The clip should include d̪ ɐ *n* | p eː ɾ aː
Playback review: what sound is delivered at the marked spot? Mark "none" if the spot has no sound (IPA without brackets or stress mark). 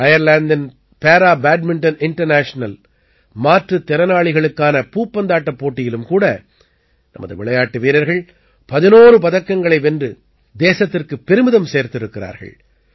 n